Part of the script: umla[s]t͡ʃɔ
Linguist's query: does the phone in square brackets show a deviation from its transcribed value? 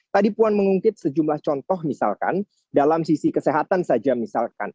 yes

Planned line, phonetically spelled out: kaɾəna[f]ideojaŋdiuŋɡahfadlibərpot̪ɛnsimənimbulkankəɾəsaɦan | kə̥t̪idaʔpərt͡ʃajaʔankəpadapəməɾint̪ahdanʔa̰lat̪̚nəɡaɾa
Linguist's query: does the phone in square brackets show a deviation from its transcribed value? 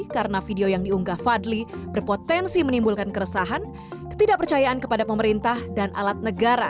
no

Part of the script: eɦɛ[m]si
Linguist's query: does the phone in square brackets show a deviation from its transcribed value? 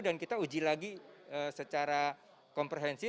yes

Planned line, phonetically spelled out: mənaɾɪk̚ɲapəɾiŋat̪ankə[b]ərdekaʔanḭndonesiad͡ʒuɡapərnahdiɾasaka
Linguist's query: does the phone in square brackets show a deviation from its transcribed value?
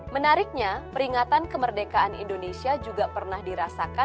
yes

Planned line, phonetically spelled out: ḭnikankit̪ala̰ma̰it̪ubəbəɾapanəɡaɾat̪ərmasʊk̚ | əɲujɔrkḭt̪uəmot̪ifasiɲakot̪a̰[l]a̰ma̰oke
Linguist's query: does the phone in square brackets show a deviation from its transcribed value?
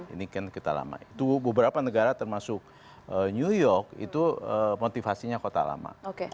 no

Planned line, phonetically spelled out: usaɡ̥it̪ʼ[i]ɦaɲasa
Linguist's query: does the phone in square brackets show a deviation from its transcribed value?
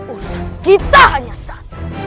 yes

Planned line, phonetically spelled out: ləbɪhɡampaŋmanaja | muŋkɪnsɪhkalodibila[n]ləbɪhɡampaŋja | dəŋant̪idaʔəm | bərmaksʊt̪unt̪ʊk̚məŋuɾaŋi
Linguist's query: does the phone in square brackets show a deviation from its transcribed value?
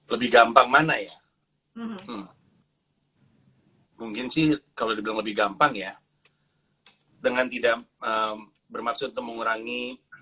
yes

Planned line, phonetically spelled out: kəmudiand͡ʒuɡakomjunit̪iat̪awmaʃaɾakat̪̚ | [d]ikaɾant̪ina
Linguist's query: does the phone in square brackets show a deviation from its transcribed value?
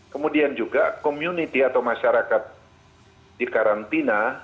no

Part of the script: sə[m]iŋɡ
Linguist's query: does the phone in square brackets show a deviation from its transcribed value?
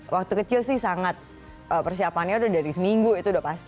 no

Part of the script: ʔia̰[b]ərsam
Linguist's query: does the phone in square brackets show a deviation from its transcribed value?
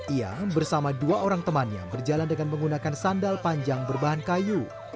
no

